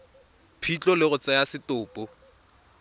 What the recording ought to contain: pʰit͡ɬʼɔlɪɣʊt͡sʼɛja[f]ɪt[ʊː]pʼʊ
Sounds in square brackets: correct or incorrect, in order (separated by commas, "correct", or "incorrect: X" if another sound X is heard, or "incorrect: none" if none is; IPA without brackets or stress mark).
incorrect: s, correct